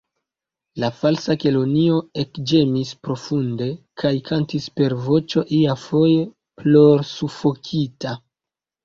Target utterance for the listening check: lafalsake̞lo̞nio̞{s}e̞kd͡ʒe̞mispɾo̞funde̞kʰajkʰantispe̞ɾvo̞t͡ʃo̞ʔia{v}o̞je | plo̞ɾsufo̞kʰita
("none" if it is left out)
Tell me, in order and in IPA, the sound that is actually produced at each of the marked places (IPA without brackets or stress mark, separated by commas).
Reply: none, f